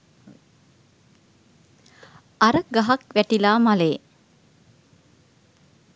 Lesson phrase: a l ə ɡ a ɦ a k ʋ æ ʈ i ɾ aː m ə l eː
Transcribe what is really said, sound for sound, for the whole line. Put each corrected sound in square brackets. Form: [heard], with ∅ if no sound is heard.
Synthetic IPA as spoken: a [ɾ] ə ɡ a ɦ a k ʋ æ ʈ i [l] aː m [a] l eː

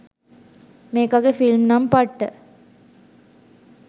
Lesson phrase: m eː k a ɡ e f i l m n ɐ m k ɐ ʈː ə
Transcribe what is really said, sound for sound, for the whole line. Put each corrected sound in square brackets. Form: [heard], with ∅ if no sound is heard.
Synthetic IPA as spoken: m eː k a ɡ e f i l m n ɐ m [p] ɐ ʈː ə

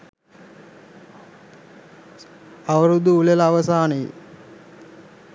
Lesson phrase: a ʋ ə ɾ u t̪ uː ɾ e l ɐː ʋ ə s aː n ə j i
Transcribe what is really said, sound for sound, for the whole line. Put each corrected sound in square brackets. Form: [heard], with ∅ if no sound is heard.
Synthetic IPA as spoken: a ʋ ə ɾ u [d̪] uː [l] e l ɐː ʋ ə s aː n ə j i

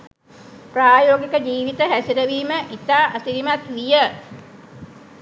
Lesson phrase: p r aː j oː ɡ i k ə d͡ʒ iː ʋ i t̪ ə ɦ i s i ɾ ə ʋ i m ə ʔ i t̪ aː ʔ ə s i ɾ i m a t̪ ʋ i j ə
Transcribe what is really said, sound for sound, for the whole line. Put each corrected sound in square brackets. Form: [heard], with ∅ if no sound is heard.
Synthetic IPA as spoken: p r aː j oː ɡ i k ə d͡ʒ iː ʋ i t̪ ə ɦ [æ] s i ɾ ə ʋ [iː] m ə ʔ i t̪ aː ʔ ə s i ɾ i m a t̪ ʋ i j ə

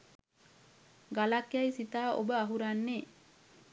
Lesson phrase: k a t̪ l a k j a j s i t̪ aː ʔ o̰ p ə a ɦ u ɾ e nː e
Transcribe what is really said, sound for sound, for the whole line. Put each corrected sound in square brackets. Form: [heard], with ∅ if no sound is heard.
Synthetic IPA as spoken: [ɡ] a [∅] l a k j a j s i t̪ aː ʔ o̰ [b] ə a ɦ u ɾ [a] nː e

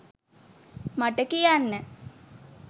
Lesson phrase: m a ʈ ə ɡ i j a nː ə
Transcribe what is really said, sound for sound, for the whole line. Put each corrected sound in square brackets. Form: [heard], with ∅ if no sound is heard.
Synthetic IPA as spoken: m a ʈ ə [k] i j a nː ə

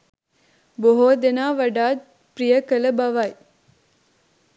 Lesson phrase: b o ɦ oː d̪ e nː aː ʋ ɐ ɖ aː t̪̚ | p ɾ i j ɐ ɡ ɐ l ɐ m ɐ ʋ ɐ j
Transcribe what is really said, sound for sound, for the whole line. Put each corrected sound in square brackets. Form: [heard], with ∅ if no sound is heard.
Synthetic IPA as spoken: b o ɦ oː d̪ e [n] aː ʋ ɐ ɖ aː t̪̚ | p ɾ i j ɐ [k] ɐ l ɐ [b] ɐ ʋ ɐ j

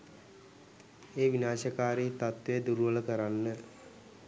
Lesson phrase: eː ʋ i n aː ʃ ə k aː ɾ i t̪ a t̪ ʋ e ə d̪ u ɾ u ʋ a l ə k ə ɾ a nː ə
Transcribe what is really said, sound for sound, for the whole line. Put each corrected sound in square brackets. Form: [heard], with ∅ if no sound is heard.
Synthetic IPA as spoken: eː ʋ i n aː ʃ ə k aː ɾ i t̪ a t̪ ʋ e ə d̪ u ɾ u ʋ [ə] l ə k ə ɾ a nː ə

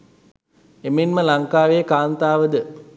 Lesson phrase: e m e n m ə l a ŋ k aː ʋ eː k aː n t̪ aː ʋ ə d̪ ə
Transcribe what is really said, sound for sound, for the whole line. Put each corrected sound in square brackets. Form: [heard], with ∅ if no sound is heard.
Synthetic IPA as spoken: e m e n m ə l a ŋ k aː ʋ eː k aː n t̪ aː ʋ ə d̪ ə

